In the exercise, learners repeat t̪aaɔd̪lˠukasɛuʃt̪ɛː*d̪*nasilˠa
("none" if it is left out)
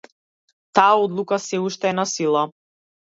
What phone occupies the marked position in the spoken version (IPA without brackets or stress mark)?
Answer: none